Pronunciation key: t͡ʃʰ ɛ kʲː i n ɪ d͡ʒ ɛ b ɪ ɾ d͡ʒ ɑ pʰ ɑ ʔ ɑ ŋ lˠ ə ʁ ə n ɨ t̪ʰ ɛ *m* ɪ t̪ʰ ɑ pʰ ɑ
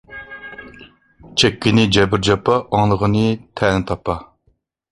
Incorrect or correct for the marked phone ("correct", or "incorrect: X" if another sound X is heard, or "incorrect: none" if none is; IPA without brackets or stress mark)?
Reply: incorrect: n